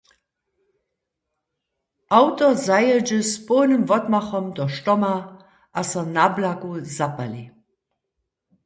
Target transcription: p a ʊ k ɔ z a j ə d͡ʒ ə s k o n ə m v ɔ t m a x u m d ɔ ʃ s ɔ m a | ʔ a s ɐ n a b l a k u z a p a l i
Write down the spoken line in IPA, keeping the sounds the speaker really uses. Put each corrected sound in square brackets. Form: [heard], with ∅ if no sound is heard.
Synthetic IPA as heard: [ʔ] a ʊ [t] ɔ z a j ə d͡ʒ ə s [p] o n ə m v ɔ t m a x [ɔ] m d ɔ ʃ [t] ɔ m a | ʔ a s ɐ n a b l a k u z a p a l i